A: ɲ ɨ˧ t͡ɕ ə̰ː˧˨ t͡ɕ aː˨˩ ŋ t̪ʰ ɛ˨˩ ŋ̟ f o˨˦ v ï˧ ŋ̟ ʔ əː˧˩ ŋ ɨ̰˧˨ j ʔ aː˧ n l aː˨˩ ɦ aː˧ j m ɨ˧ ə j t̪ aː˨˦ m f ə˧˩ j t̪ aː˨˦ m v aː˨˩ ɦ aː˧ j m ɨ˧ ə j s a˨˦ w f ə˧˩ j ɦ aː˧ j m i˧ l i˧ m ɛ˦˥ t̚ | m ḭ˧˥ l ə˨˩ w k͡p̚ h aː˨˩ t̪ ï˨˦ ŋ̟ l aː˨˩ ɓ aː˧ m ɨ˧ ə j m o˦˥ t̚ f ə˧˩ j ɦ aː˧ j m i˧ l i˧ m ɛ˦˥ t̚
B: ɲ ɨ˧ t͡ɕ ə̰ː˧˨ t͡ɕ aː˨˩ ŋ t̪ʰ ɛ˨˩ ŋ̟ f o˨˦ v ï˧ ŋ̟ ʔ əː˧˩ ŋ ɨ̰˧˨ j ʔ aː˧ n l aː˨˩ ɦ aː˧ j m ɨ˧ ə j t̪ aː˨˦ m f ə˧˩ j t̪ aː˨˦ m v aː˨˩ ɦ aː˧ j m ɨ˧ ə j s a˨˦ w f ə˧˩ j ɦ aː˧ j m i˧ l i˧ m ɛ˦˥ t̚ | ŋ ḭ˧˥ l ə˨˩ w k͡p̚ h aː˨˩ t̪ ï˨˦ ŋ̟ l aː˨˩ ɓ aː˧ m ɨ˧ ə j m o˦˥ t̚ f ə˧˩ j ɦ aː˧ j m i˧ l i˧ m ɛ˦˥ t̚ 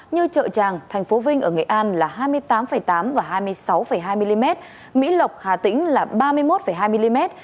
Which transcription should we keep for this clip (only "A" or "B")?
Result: A